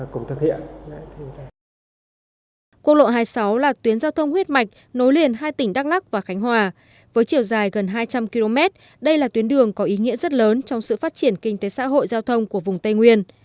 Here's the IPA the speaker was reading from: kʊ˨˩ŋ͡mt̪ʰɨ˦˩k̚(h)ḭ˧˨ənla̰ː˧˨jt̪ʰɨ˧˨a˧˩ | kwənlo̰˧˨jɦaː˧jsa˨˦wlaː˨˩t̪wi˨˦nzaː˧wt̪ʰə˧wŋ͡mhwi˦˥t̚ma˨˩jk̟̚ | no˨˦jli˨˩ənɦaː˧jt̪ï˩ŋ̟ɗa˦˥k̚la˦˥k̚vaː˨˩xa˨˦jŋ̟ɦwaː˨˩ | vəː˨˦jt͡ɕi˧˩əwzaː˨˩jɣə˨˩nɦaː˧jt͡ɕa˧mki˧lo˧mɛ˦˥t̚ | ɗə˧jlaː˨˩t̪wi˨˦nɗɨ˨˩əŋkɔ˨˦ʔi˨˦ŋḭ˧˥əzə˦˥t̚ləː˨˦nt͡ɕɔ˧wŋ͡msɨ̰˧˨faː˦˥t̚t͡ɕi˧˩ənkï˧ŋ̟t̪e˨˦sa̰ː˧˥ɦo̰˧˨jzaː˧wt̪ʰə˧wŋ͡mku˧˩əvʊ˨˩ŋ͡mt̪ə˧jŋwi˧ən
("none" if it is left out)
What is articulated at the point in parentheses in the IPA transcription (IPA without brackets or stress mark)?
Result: h